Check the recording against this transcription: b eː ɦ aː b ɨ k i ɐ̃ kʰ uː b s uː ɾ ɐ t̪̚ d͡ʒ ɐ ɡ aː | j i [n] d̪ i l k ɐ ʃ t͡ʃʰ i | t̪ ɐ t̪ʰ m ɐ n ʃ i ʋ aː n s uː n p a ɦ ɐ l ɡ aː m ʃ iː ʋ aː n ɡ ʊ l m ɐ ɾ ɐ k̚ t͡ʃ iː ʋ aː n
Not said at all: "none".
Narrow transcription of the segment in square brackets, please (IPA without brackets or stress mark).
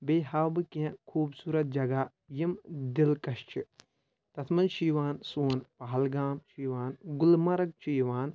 m